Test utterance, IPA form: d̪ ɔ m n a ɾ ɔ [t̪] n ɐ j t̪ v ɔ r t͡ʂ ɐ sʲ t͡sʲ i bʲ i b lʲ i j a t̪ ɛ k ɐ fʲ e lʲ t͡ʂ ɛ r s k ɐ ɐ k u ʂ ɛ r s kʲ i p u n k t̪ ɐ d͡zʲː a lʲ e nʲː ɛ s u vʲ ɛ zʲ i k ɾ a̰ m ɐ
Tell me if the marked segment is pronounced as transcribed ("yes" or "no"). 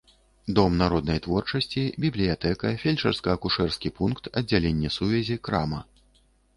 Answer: no